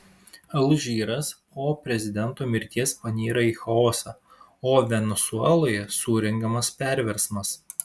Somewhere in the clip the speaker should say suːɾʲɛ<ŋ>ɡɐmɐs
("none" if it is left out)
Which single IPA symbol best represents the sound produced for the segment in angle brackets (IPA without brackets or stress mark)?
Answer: ŋ